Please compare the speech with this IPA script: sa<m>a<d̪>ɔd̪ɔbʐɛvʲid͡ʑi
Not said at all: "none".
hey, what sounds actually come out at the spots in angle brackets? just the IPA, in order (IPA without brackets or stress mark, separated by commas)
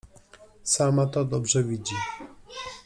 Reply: m, t̪